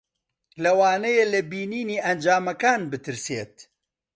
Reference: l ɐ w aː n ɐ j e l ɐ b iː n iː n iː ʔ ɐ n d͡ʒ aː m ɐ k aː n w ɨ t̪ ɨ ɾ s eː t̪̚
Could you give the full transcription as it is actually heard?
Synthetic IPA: l ɐ w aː n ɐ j e l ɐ b iː n iː n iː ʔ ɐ n d͡ʒ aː m ɐ k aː n b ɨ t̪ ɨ ɾ s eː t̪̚